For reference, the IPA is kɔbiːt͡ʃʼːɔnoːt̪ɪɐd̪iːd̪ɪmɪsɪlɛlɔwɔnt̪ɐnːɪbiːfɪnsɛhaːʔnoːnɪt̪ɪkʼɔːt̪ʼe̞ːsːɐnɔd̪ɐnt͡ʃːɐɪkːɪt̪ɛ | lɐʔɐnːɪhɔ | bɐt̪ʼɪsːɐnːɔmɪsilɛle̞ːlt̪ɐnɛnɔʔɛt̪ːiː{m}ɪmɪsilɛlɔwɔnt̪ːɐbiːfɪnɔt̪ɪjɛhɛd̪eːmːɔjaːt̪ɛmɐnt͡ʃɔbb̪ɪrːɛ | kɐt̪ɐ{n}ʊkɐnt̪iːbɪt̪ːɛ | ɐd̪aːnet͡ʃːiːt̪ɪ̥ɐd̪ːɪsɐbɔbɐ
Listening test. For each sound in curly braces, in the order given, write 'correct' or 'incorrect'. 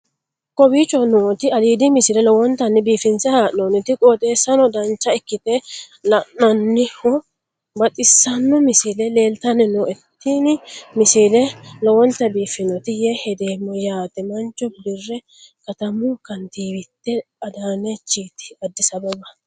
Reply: incorrect, incorrect

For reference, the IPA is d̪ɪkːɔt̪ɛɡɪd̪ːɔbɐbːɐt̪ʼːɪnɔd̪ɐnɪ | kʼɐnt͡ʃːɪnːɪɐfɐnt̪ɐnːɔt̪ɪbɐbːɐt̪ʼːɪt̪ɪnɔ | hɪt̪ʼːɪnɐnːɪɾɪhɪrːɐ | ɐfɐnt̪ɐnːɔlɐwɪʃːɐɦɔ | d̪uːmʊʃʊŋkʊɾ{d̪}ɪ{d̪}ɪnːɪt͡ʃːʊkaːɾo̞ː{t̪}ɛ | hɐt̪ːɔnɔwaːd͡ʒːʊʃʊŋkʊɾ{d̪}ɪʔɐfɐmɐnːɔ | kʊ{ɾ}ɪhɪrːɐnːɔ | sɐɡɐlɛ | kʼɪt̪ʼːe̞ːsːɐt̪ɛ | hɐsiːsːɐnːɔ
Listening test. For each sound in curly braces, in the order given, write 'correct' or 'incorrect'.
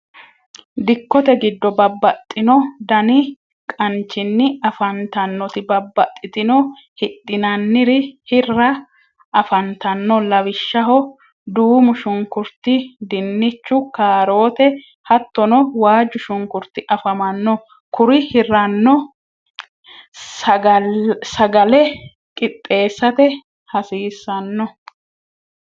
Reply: incorrect, correct, correct, incorrect, correct

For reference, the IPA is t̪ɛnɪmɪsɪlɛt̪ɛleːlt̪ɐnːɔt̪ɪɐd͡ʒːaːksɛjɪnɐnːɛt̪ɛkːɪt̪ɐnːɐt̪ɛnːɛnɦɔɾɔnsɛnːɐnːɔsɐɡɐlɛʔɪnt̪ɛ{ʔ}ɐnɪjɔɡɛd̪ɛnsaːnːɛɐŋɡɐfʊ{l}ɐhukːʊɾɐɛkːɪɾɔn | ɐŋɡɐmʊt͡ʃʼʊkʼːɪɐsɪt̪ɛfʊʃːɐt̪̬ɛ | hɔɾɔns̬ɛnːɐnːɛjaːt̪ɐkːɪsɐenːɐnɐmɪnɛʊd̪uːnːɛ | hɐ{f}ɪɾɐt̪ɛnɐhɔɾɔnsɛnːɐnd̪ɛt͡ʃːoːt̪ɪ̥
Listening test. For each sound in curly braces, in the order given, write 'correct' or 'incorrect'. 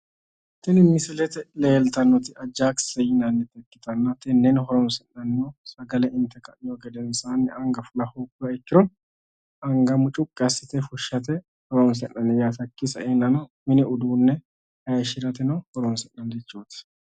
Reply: incorrect, correct, incorrect

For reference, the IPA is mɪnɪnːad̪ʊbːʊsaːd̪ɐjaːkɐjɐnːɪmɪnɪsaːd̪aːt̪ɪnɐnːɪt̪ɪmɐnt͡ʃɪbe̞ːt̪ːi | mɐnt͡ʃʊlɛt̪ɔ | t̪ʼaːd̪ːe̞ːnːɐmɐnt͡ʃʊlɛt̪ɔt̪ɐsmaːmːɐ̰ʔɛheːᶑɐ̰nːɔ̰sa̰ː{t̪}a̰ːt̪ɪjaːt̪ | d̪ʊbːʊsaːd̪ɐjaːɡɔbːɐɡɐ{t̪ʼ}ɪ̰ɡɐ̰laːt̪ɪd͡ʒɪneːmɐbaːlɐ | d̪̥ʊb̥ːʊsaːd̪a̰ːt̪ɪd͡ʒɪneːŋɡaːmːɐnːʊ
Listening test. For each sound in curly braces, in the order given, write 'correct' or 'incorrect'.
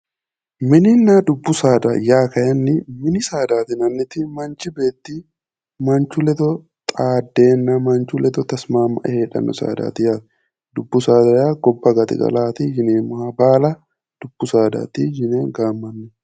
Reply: incorrect, incorrect

